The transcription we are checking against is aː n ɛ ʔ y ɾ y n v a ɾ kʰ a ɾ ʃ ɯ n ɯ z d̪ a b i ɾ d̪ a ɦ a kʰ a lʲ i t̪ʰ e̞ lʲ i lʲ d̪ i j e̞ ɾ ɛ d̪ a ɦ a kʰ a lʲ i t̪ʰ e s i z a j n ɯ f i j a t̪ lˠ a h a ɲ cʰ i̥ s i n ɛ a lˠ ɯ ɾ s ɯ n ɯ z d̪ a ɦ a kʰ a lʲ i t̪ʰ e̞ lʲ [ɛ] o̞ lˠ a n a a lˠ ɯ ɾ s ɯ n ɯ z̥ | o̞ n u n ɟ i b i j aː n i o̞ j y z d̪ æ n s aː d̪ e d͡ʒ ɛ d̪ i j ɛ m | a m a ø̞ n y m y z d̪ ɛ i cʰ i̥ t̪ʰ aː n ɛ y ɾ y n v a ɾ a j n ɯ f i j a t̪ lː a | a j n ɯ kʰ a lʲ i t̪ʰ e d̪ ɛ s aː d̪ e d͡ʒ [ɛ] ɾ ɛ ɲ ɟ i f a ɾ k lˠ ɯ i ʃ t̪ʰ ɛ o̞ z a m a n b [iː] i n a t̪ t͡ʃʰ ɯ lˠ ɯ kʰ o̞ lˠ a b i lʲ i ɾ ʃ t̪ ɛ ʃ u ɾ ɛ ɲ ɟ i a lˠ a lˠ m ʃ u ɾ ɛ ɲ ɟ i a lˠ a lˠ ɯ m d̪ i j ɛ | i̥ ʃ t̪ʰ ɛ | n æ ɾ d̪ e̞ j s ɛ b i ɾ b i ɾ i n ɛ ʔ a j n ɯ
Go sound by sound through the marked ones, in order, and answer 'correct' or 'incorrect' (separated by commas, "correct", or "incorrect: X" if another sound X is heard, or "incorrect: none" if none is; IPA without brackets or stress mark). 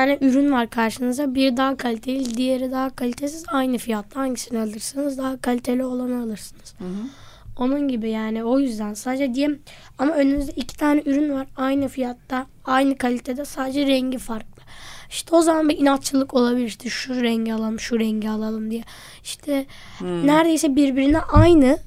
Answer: incorrect: i, correct, incorrect: i